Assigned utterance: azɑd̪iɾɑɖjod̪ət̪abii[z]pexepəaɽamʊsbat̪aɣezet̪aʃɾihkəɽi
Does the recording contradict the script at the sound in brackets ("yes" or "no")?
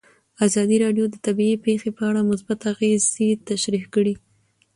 yes